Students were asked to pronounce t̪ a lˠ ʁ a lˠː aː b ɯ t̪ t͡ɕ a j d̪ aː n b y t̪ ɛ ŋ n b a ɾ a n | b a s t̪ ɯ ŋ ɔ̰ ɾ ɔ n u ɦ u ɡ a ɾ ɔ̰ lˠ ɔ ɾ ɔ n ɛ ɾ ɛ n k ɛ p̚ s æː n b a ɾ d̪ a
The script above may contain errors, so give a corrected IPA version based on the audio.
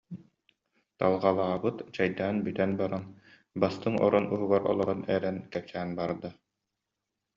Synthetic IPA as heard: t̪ a lˠ ʁ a lˠ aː b ɯ t̪ t͡ɕ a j d̪ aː n b y t̪ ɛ n b a ɾ a n | b a s t̪ ɯ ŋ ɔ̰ ɾ ɔ n u ɦ u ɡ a ɾ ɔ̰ lˠ ɔ ɾ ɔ n ɛ ɾ ɛ n k ɛ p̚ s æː n b a ɾ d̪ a